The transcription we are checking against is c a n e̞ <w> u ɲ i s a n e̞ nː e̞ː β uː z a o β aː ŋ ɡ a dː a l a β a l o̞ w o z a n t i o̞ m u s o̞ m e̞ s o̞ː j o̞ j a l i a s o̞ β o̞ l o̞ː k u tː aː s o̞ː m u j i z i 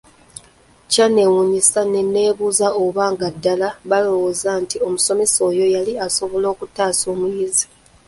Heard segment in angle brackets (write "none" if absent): w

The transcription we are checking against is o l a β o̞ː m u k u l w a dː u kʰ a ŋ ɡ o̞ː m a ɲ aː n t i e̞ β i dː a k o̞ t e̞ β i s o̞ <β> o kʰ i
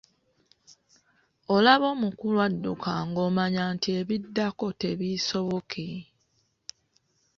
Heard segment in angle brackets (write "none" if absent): β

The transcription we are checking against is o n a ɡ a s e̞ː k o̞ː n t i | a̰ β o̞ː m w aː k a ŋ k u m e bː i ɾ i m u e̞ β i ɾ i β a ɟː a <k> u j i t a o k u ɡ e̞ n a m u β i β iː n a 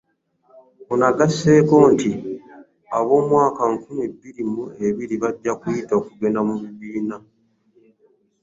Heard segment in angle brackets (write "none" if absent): k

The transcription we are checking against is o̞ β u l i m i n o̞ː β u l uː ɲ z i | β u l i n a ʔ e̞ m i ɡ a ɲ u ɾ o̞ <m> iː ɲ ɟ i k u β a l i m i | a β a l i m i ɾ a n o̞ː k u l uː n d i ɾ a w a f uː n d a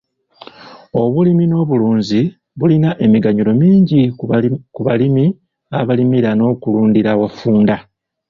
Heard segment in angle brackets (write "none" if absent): m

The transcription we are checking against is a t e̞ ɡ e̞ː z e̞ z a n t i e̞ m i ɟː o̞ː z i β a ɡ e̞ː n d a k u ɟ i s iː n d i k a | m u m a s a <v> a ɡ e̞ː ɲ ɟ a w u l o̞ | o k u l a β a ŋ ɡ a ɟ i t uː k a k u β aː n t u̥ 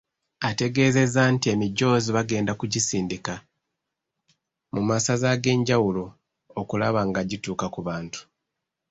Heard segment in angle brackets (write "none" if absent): z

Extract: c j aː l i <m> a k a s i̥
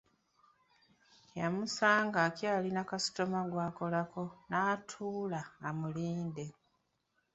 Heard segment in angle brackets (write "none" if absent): n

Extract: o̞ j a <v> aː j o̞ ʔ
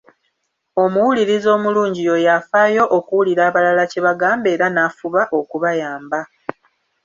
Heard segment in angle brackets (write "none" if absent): f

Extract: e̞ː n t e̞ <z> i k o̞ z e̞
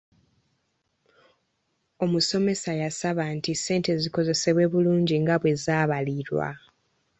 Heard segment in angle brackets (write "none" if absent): z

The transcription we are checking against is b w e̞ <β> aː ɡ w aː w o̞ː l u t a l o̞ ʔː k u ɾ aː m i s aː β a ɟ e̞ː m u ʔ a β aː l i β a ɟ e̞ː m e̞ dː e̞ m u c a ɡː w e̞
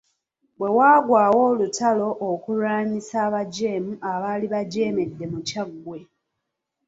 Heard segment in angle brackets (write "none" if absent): w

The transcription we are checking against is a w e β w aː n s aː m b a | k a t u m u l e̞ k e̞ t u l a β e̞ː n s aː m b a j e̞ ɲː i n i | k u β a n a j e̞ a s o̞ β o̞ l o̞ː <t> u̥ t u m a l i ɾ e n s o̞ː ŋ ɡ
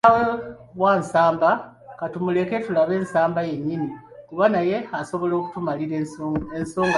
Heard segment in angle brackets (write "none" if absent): k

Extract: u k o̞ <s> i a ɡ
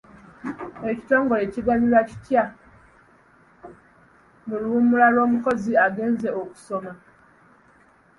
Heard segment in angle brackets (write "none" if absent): z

